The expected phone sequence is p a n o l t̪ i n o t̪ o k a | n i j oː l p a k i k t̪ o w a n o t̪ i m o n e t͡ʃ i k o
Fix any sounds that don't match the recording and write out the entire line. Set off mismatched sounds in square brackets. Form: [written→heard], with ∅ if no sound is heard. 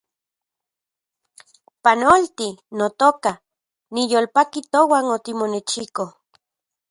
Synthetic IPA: p a n o l t̪ i n o t̪ o k a | n i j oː l p a k i [k→∅] t̪ o w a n o t̪ i m o n e t͡ʃ i k o